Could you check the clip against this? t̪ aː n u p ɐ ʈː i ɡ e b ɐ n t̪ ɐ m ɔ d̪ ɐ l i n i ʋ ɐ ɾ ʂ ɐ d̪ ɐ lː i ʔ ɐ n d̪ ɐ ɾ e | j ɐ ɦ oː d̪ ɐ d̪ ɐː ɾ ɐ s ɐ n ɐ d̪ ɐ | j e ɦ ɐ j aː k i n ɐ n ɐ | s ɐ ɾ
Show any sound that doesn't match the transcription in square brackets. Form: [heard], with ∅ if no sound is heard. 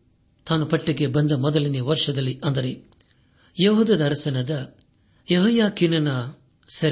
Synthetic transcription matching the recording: t̪ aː n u p ɐ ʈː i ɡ e b ɐ n [d̪] ɐ m ɔ d̪ ɐ l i n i ʋ ɐ ɾ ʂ ɐ d̪ ɐ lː i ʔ ɐ n d̪ ɐ ɾ e | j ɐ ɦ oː d̪ ɐ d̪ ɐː ɾ ɐ s ɐ n ɐ d̪ ɐ | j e ɦ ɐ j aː k i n ɐ n ɐ | s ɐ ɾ